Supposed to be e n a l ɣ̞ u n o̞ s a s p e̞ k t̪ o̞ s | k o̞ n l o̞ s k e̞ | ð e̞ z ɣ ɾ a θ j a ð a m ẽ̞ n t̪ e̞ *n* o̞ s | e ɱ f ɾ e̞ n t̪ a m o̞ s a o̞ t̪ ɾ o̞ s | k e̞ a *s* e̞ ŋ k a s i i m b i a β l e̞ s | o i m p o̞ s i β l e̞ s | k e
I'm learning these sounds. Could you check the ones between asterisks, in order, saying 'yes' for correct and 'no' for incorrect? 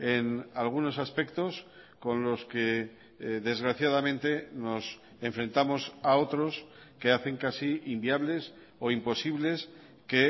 yes, no

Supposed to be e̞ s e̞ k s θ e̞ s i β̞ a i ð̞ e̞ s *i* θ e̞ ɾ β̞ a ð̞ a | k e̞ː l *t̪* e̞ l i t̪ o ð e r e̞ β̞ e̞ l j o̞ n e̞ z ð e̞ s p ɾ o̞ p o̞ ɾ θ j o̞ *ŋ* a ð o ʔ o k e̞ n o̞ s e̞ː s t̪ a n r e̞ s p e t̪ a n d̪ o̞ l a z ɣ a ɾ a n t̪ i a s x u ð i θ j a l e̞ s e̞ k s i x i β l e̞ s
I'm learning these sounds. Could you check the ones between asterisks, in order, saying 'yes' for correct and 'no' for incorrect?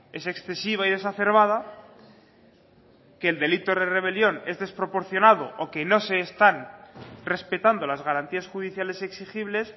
no, no, no

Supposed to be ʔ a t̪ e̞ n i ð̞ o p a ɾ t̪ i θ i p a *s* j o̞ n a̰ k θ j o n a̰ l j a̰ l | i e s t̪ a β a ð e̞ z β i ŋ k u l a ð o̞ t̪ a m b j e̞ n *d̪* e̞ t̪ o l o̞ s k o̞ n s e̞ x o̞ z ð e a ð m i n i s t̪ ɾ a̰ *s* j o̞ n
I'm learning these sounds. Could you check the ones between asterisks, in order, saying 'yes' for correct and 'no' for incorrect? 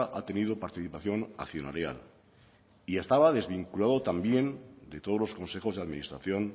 no, yes, no

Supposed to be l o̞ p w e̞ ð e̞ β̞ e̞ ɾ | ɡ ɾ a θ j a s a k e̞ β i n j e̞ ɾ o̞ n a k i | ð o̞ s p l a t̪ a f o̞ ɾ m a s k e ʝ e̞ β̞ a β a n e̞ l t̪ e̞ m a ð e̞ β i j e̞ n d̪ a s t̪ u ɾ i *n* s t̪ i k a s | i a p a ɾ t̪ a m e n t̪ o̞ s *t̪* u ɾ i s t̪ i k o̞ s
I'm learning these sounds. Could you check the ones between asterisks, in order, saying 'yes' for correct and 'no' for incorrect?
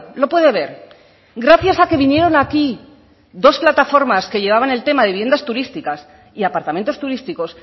no, yes

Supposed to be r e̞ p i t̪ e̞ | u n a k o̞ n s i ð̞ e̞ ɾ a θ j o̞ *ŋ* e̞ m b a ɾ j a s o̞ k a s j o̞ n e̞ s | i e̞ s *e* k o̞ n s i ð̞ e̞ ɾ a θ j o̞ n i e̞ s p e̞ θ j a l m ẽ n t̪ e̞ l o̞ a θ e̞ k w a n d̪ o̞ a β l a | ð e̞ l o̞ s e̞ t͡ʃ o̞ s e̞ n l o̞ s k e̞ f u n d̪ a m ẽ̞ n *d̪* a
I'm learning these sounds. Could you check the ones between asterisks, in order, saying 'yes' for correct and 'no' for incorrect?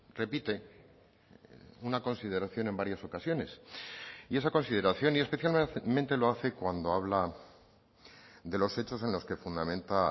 no, no, no

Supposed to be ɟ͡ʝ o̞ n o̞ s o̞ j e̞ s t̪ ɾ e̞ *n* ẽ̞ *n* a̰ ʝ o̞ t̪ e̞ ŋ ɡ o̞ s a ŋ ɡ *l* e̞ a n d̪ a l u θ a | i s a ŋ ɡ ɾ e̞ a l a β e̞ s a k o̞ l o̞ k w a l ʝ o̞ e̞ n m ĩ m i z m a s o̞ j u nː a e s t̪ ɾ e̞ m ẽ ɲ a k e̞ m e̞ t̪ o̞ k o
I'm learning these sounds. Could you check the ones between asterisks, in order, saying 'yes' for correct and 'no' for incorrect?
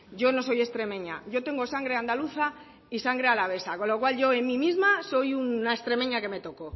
no, no, no

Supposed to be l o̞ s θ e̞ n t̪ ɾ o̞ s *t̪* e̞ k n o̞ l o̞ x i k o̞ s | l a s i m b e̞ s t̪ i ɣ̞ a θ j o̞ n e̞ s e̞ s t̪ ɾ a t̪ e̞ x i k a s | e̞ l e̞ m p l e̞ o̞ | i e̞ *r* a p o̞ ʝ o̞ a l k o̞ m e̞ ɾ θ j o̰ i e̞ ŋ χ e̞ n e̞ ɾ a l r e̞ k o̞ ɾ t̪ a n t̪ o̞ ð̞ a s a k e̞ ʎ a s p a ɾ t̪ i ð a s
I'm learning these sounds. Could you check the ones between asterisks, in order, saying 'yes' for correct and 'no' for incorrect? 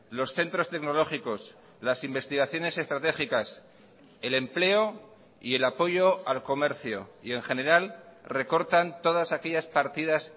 yes, no

